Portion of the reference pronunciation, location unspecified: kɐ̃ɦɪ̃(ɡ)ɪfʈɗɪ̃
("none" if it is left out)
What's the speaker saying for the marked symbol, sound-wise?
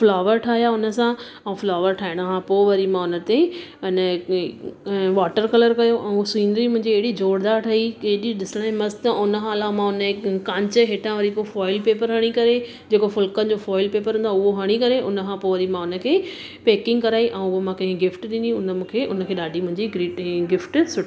ɡ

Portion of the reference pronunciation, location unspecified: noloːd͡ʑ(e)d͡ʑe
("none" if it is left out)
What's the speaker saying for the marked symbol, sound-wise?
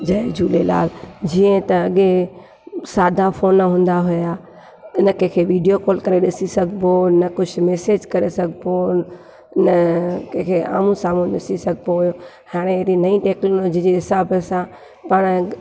i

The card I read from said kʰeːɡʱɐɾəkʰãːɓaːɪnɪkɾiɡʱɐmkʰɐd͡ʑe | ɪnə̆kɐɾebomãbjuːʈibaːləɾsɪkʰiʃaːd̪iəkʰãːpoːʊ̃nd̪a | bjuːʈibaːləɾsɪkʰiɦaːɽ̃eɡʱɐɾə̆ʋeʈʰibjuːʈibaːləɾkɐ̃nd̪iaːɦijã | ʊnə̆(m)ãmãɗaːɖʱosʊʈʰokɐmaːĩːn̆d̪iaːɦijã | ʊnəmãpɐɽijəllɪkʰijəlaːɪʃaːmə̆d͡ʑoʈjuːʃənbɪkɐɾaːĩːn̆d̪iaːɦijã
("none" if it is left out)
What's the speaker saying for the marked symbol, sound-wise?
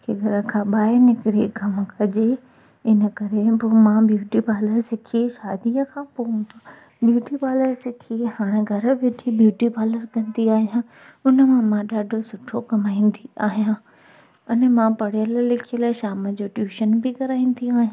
m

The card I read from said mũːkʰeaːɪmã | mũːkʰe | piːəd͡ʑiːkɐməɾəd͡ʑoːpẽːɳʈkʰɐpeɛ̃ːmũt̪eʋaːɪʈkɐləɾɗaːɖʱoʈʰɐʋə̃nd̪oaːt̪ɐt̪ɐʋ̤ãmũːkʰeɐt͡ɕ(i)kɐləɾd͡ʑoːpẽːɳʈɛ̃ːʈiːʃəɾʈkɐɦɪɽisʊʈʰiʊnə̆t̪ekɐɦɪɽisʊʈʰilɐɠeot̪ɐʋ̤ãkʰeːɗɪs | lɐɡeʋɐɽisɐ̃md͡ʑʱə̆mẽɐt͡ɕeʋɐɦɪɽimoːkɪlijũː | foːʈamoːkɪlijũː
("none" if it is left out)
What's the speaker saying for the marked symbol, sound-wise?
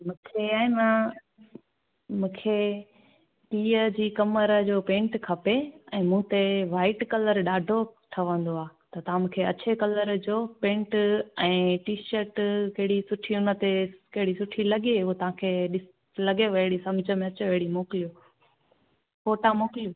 e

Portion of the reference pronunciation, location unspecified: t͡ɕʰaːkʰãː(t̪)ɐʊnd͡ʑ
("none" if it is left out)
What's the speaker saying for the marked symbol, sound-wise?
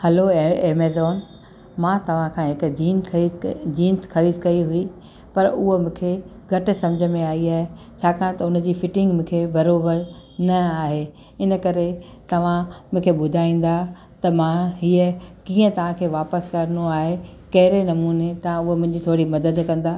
t̪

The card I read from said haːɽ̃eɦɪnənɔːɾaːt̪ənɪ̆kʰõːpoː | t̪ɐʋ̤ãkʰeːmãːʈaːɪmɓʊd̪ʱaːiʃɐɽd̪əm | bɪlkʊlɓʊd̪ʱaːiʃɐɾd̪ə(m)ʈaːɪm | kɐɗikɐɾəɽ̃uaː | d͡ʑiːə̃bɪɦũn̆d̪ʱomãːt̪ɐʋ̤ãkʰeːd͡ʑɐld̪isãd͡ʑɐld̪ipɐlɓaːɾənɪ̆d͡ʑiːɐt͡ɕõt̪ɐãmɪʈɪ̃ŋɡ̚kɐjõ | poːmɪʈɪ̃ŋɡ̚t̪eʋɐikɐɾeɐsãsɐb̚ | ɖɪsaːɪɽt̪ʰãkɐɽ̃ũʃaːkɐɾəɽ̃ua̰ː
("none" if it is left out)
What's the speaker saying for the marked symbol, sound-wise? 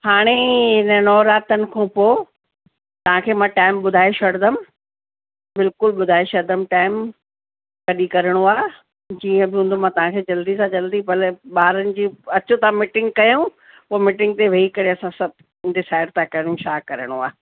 m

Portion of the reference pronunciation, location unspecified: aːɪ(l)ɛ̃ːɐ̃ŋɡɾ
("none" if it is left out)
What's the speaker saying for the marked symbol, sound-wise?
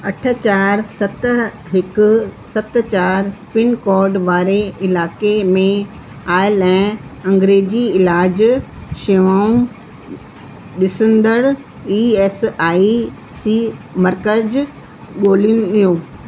l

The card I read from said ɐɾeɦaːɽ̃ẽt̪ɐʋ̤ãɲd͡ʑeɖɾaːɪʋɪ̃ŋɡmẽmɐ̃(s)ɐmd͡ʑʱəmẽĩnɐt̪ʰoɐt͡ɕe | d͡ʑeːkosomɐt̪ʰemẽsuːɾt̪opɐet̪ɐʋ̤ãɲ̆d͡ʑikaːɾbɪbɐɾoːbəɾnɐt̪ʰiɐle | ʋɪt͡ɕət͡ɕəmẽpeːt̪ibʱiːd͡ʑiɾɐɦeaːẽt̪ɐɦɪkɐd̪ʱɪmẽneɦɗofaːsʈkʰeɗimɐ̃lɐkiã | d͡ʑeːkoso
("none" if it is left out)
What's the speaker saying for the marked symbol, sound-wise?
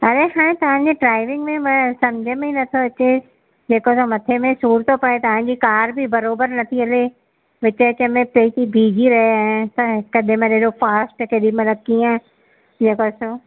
s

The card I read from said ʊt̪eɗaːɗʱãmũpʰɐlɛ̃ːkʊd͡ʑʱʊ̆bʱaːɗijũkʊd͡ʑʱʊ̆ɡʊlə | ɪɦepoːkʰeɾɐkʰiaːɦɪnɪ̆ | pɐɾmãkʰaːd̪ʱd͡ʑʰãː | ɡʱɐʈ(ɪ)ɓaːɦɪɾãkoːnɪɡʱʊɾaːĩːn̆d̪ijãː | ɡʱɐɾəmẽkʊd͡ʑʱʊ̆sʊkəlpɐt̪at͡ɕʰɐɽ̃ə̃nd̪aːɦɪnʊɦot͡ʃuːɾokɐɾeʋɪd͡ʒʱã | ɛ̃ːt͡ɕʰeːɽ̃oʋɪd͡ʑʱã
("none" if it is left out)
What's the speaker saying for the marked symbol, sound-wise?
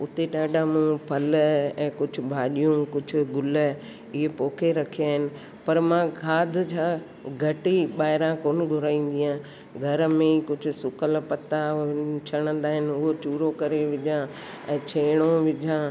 i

